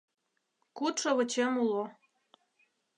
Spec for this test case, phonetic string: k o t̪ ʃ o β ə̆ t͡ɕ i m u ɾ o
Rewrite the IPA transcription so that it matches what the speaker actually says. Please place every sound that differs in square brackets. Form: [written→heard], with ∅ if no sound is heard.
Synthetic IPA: k [o→u] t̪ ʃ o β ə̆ t͡ɕ [i→e] m u [ɾ→l] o